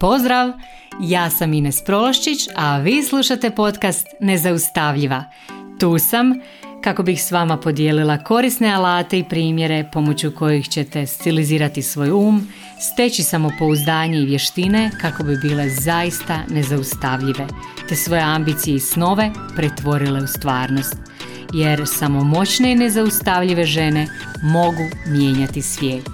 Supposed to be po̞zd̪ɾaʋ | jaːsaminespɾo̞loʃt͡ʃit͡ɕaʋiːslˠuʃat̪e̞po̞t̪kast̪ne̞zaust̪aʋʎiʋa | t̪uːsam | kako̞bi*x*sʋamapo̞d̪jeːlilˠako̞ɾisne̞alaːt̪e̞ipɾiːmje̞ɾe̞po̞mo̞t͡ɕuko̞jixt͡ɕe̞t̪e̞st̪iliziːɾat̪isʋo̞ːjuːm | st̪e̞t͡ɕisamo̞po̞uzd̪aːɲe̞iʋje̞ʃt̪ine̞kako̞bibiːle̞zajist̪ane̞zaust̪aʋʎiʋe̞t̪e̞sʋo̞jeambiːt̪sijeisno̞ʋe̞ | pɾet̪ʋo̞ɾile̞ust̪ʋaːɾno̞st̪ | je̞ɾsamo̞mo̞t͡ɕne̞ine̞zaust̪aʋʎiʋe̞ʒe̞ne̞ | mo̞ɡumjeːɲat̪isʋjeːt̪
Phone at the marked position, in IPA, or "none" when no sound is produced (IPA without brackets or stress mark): x